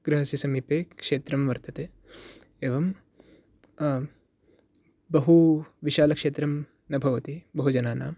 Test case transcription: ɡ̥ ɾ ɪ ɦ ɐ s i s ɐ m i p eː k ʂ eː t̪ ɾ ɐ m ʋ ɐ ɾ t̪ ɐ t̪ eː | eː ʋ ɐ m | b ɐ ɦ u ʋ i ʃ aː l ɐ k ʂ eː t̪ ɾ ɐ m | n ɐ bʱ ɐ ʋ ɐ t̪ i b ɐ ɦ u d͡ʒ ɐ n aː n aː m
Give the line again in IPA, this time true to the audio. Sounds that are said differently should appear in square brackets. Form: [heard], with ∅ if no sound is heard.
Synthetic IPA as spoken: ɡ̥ ɾ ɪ ɦ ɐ s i s ɐ m i p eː k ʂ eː t̪ ɾ ɐ m ʋ ɐ ɾ t̪ ɐ t̪ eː | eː ʋ ɐ m | b ɐ ɦ u ʋ i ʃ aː l ɐ k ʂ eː t̪ ɾ ɐ m | n ɐ bʱ ɐ ʋ ɐ t̪ i b ɐ ɦ u d͡ʒ ɐ n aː n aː m